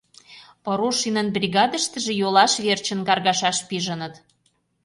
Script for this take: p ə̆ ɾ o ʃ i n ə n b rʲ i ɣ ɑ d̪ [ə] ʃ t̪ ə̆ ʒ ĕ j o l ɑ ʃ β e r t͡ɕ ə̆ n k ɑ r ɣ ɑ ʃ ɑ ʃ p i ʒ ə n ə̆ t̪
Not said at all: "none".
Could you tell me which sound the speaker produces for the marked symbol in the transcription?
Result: ə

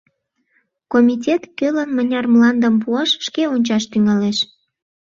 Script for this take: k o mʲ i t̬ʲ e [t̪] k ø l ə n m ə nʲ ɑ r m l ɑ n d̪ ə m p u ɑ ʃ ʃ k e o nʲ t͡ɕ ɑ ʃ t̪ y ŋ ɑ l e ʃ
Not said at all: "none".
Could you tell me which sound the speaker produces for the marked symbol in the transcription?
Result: t̪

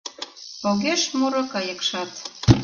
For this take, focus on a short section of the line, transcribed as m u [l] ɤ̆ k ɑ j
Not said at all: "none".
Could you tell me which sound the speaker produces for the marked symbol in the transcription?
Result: ɾ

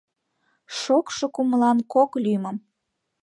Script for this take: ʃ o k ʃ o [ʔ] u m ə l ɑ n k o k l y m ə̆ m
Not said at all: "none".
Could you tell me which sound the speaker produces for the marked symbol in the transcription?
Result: k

